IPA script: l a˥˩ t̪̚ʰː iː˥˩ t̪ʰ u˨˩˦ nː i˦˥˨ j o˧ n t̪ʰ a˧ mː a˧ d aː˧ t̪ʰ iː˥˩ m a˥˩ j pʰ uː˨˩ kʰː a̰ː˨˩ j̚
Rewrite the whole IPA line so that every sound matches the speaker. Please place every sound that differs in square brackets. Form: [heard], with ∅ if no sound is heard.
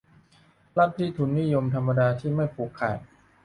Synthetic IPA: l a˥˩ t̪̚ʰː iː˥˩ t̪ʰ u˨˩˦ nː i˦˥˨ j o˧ [m] t̪ʰ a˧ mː a˧ d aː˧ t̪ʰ iː˥˩ m a˥˩ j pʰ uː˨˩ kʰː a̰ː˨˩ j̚